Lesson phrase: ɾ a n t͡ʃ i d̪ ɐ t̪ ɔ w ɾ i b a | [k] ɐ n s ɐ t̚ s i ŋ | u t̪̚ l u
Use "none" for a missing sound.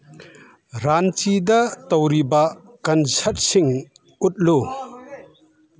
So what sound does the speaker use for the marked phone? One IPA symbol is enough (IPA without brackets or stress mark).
k